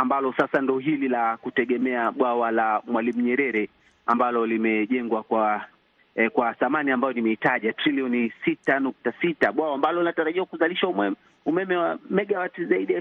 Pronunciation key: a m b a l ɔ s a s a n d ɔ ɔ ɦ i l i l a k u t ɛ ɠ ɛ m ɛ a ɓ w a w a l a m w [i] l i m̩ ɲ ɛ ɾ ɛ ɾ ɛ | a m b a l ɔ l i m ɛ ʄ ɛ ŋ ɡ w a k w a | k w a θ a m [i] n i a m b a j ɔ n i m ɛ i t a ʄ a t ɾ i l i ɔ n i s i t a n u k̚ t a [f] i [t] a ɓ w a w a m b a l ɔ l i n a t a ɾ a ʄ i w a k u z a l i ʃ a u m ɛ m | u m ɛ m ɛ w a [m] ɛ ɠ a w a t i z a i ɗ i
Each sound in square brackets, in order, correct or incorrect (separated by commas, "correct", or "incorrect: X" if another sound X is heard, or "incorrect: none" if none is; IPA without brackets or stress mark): incorrect: a, incorrect: a, incorrect: s, correct, correct